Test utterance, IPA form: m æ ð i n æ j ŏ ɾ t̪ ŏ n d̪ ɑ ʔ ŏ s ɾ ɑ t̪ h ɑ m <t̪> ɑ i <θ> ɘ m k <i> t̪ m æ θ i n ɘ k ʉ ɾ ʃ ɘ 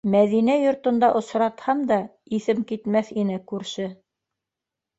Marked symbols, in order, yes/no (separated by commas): no, yes, yes